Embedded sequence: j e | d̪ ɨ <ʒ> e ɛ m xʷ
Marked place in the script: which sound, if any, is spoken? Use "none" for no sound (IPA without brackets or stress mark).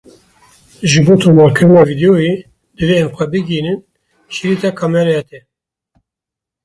v